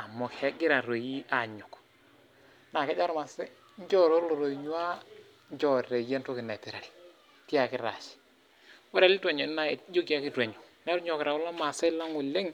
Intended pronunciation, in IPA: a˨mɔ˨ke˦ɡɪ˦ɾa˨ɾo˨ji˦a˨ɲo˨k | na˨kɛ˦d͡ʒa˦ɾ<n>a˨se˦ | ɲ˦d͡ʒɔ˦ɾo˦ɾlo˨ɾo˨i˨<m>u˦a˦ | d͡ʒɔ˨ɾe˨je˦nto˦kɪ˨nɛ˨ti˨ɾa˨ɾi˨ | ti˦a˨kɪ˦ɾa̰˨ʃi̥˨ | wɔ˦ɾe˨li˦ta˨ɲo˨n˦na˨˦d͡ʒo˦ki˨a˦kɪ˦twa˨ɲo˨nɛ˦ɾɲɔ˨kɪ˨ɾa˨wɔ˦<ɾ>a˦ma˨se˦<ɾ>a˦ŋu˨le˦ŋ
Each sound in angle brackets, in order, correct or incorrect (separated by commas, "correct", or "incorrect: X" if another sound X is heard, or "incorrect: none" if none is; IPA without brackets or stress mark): incorrect: m, incorrect: ɲ, incorrect: l, incorrect: l